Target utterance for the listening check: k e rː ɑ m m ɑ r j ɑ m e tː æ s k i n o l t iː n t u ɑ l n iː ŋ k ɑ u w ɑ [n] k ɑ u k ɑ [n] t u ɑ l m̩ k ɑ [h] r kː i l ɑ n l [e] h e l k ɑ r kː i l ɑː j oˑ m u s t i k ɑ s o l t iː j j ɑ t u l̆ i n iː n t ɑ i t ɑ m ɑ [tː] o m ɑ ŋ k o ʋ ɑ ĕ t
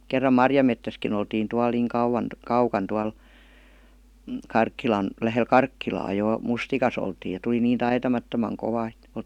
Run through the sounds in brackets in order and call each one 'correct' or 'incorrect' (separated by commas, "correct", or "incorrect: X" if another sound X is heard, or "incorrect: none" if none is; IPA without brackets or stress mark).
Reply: correct, correct, incorrect: none, incorrect: æ, correct